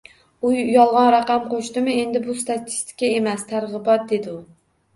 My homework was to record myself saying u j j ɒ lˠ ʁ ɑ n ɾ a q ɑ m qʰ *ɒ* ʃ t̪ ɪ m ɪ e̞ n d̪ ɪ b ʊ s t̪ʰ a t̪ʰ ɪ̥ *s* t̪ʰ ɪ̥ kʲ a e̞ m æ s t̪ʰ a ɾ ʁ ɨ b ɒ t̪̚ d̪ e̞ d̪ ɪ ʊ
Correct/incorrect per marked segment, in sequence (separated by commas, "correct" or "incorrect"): incorrect, correct